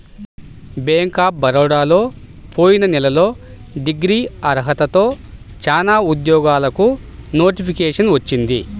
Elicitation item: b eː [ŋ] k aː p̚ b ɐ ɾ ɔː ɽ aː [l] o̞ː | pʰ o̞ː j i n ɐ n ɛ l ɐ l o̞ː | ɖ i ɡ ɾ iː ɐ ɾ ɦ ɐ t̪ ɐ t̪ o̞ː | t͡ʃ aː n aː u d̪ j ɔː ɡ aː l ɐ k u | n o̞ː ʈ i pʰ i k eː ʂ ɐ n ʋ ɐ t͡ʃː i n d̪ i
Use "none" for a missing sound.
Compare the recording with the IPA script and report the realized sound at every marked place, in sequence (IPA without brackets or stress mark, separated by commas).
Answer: ŋ, l